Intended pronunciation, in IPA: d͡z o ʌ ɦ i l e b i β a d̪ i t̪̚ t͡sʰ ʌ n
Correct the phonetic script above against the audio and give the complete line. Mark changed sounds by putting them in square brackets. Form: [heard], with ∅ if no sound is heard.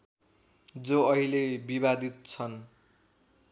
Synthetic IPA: d͡z o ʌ ɦ i l e b i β a d̪ i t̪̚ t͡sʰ ʌ n